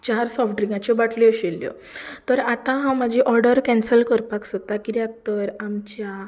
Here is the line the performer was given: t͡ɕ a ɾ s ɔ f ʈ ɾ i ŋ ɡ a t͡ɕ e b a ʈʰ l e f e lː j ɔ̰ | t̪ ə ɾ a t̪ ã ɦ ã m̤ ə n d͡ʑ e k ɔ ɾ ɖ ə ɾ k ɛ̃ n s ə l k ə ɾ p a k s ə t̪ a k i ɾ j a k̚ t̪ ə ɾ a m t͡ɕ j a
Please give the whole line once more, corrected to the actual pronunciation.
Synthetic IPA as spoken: t͡ɕ a ɾ s ɔ f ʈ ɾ i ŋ ɡ a t͡ɕ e b a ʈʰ l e ɕ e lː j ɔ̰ | t̪ ə ɾ a t̪ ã ɦ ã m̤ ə d͡ʑ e ʔ ɔ ɾ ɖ ə ɾ k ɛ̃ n s ə l k ə ɾ p a k s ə t̪ a k i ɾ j a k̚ t̪ ə ɾ a m t͡ɕ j a